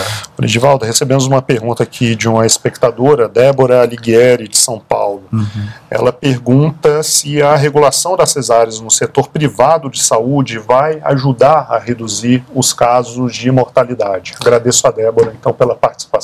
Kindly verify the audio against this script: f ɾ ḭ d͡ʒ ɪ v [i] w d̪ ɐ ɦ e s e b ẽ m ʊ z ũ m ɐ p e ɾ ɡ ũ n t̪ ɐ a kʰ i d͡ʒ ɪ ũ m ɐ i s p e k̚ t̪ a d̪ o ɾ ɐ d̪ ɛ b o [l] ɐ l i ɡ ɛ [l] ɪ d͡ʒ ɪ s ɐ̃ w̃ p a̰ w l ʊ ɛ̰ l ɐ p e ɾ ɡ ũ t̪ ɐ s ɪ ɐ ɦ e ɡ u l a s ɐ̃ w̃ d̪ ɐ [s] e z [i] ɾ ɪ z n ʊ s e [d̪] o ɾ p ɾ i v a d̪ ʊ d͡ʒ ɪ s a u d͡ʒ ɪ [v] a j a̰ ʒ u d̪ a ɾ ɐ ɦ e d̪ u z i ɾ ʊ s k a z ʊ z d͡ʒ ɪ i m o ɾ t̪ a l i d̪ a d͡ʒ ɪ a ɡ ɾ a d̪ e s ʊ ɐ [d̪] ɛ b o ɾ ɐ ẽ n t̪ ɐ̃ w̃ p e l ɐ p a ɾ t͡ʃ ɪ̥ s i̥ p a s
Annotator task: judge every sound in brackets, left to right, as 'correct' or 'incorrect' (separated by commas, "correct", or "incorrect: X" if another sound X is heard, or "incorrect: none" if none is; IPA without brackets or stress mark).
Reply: incorrect: a, incorrect: ɾ, incorrect: ɾ, correct, incorrect: a, incorrect: t̪, correct, correct